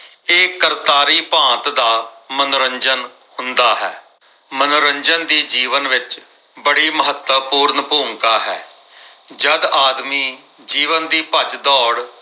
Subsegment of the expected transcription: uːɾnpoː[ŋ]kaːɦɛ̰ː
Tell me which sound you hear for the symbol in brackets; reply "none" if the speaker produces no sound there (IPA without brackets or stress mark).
ŋ